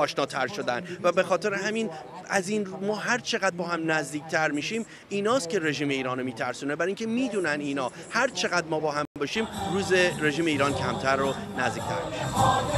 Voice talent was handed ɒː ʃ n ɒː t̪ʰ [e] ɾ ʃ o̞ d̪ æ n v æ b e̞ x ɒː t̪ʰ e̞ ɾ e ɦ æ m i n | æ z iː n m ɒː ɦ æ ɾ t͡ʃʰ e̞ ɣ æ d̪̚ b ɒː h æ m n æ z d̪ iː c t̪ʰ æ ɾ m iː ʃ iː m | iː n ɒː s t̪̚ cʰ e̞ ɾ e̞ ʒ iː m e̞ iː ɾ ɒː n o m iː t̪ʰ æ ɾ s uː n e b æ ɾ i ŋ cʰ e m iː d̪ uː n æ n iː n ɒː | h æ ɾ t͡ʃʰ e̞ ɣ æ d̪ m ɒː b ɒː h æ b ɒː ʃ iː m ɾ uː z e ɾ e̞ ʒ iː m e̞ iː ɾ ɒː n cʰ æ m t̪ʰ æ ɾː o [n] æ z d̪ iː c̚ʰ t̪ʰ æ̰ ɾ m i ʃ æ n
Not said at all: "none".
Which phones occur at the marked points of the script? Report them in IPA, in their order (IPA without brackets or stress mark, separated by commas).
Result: æ, n